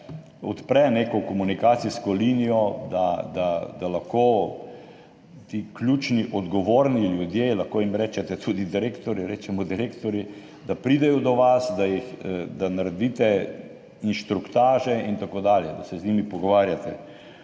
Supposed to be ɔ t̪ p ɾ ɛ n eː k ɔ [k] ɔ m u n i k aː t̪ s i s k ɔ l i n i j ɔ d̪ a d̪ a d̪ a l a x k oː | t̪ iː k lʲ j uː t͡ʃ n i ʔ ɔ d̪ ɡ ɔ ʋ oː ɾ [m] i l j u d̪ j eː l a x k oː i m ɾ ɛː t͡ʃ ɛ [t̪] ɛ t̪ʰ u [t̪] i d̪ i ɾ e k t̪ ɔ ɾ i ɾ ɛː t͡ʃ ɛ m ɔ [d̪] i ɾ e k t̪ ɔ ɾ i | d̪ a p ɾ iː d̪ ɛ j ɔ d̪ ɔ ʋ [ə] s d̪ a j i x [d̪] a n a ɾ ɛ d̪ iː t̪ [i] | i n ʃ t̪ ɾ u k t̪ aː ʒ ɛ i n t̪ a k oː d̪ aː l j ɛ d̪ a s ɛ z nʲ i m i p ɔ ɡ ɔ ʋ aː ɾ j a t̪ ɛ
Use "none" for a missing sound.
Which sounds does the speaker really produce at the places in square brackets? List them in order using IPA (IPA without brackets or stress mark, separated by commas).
k, n, t̪, d̪, d̪, a, d̪, ɛ